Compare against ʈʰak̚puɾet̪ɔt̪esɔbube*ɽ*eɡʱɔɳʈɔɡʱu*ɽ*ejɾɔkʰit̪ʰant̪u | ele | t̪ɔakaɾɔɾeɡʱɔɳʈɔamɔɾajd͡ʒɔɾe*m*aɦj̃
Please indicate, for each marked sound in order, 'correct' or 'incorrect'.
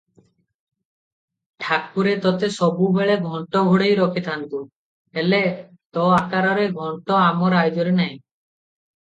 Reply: incorrect, correct, incorrect

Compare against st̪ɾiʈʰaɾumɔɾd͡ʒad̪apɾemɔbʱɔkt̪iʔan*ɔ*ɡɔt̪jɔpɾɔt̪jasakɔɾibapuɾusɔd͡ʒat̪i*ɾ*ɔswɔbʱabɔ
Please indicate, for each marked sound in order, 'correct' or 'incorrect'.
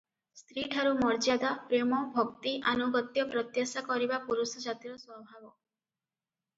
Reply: incorrect, correct

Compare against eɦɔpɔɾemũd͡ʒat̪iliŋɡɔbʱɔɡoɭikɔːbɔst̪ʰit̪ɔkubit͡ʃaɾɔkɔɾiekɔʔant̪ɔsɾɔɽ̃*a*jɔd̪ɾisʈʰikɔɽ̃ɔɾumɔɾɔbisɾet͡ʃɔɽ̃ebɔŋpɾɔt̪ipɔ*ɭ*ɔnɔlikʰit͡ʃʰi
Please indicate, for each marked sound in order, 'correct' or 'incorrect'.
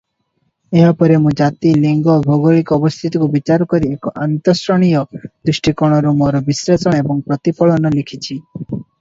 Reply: incorrect, correct

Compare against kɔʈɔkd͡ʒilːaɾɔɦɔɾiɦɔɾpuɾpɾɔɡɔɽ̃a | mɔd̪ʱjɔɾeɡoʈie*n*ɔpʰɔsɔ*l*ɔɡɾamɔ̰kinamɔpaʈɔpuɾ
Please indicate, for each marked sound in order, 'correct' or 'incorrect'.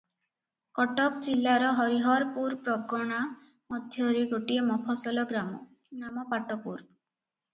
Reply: incorrect, correct

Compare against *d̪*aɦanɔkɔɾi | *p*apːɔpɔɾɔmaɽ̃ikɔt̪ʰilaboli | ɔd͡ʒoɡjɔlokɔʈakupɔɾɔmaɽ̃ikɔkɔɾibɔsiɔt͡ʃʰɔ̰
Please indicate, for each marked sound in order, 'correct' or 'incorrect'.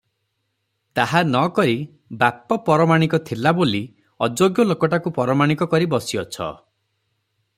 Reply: incorrect, incorrect

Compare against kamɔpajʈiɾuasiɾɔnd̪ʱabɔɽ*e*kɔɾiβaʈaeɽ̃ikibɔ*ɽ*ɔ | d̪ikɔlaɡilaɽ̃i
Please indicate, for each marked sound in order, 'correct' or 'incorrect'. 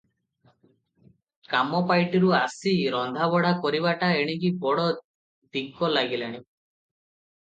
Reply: incorrect, correct

